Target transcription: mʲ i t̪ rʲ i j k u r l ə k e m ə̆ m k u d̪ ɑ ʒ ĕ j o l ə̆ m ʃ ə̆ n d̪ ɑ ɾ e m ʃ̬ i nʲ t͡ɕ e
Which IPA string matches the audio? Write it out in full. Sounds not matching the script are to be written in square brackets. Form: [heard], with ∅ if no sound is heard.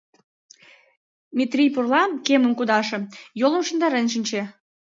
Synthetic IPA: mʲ i t̪ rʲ i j [p] u r l [ɑ] k e m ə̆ m k u d̪ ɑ [ʃ] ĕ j o l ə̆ m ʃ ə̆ n d̪ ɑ ɾ e [n] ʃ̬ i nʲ t͡ɕ e